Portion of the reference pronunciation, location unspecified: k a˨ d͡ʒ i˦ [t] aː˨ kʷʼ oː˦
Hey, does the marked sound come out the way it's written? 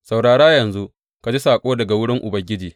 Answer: no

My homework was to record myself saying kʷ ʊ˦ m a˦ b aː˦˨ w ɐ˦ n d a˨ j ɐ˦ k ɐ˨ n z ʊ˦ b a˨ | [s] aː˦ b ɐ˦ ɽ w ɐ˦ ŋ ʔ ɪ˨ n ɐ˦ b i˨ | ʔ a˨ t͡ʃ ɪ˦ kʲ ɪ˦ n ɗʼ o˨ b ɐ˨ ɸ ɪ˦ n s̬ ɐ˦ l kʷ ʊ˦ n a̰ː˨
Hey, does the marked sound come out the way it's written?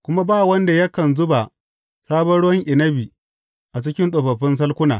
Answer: yes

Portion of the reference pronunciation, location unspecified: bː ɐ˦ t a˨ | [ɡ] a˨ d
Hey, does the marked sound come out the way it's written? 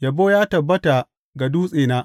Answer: yes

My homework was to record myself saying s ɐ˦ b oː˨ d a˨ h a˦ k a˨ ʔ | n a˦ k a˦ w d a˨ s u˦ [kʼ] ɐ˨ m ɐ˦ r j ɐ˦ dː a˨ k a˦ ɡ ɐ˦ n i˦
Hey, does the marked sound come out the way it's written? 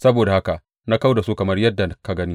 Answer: no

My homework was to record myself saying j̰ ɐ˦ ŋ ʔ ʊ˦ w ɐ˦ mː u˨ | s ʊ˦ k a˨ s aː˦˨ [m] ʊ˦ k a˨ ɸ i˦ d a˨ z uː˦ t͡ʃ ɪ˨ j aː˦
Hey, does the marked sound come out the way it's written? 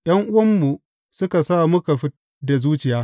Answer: yes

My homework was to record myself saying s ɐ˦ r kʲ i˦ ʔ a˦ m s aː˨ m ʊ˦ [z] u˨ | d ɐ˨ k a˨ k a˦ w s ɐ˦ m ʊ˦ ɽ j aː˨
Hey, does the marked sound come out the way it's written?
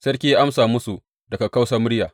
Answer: no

